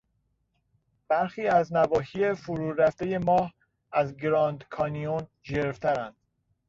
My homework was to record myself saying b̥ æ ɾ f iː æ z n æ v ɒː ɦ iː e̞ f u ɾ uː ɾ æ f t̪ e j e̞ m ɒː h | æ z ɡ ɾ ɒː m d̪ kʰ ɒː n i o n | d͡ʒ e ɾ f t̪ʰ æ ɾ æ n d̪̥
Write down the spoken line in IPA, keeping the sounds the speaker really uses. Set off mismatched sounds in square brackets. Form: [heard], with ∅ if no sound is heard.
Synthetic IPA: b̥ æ ɾ [x] iː æ z n æ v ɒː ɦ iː e̞ f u ɾ uː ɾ æ f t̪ e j e̞ m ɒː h | æ z ɡ ɾ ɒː [n] d̪ kʰ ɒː n i o n | d͡ʒ e ɾ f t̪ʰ æ ɾ æ n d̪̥

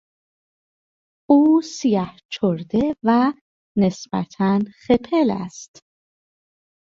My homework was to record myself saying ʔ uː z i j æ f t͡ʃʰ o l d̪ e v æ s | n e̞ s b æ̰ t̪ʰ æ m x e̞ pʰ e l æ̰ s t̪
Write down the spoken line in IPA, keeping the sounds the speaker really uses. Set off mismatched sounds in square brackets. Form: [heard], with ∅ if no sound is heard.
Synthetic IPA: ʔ uː [s] i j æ [h] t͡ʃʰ o [ɾ] d̪ e v æ [∅] | n e̞ s b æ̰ t̪ʰ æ [n] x e̞ pʰ e l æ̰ s t̪

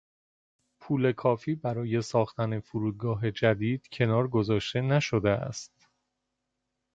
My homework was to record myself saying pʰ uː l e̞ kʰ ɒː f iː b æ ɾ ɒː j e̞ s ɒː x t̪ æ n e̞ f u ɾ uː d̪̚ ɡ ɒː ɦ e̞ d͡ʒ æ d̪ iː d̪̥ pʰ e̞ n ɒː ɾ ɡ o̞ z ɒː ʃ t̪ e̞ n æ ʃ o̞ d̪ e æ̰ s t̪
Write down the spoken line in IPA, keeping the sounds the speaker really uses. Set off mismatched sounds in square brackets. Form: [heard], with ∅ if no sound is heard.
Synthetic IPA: pʰ uː l e̞ kʰ ɒː f iː b æ ɾ ɒː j e̞ s ɒː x t̪ æ n e̞ f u ɾ uː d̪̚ ɡ ɒː ɦ e̞ d͡ʒ æ d̪ iː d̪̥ [cʰ] e̞ n ɒː ɾ ɡ o̞ z ɒː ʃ t̪ e̞ n æ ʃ o̞ d̪ e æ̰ s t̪

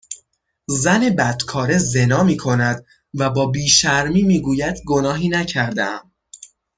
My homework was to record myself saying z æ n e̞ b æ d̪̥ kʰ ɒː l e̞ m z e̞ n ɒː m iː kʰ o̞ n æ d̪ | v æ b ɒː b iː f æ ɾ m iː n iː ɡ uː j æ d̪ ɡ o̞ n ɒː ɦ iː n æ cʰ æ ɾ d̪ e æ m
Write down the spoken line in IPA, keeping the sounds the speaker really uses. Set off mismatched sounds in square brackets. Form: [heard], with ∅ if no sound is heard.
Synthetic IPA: z æ n e̞ b æ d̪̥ kʰ ɒː [ɾ] e̞ [∅] z e̞ n ɒː m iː kʰ o̞ n æ d̪ | v æ b ɒː b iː [ʃ] æ ɾ m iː [m] iː ɡ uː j æ d̪ ɡ o̞ n ɒː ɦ iː n æ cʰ æ ɾ d̪ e æ m

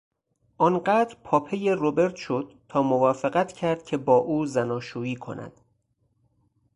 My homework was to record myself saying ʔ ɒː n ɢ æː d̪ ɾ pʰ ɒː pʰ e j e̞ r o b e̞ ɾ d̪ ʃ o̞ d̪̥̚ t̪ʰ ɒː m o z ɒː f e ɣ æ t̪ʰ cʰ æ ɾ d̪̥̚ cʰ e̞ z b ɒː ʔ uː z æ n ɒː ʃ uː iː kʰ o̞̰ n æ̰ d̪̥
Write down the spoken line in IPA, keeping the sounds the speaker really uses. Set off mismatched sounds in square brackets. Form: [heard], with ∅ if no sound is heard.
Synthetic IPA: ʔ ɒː n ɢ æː d̪ ɾ pʰ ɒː pʰ e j e̞ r o b e̞ ɾ [t̪] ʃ o̞ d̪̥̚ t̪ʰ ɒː m o [v] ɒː f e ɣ æ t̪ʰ cʰ æ ɾ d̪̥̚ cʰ e̞ [∅] b ɒː ʔ uː z æ n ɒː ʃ uː iː kʰ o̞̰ n æ̰ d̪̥

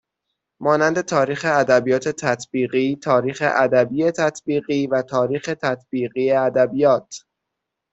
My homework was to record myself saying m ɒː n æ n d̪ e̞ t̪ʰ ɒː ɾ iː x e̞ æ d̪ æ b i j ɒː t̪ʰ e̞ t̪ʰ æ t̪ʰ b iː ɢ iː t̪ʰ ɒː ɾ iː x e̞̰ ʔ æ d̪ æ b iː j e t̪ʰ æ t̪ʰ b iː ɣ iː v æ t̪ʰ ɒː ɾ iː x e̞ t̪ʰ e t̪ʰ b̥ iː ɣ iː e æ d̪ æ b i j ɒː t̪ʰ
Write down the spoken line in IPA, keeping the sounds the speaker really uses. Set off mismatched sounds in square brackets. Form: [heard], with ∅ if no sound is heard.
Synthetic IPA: m ɒː n æ n d̪ e̞ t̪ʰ ɒː ɾ iː x e̞ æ d̪ æ b i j ɒː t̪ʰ e̞ t̪ʰ æ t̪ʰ b iː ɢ iː t̪ʰ ɒː ɾ iː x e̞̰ ʔ æ d̪ æ b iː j e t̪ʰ æ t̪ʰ b iː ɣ iː v æ t̪ʰ ɒː ɾ iː x e̞ t̪ʰ [æ] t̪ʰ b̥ iː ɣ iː e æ d̪ æ b i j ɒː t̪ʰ

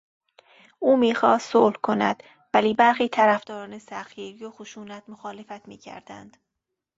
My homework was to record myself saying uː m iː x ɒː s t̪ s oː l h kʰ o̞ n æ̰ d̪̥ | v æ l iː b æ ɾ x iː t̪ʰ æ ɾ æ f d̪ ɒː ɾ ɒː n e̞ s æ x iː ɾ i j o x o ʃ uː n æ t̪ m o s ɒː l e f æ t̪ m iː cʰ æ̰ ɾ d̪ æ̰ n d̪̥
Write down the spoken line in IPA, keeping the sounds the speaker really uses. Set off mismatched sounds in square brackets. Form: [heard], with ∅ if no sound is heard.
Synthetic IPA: uː m iː x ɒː s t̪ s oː l h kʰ o̞ n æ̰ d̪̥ | v æ l iː b æ ɾ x iː t̪ʰ æ ɾ æ f d̪ ɒː ɾ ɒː n e̞ s æ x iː ɾ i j o x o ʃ uː n æ t̪ m o [x] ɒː l e f æ t̪ m iː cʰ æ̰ ɾ d̪ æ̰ n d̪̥

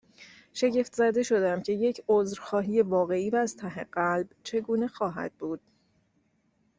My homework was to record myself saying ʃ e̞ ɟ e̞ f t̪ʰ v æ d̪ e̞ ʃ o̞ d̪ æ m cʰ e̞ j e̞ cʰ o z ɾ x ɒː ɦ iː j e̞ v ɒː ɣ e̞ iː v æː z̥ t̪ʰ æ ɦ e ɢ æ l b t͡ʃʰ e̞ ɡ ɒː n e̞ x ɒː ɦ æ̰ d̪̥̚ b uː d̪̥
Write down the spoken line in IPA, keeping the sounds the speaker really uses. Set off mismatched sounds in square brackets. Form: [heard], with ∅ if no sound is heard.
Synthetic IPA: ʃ e̞ ɟ e̞ f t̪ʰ [z] æ d̪ e̞ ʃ o̞ d̪ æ m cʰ e̞ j e̞ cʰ o z ɾ x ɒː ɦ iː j e̞ v ɒː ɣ e̞ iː v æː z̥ t̪ʰ æ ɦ e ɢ æ l b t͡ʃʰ e̞ ɡ [uː] n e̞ x ɒː ɦ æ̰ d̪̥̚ b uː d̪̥

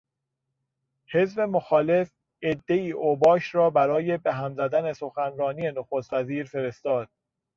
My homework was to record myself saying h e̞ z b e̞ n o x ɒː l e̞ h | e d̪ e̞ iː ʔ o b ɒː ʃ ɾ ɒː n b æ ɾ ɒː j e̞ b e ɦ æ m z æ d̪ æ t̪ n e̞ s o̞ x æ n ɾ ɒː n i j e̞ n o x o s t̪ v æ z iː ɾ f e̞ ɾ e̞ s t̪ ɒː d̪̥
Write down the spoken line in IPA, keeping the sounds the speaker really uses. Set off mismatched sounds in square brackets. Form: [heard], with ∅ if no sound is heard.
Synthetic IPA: h e̞ z b e̞ [m] o x ɒː l e̞ [f] | e [d̪ː] e̞ iː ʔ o b ɒː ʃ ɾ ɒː [∅] b æ ɾ ɒː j e̞ b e ɦ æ m z æ d̪ æ [∅] n e̞ s o̞ x æ n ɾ ɒː n i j e̞ n o x o s t̪ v æ z iː ɾ f e̞ ɾ e̞ s t̪ ɒː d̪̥

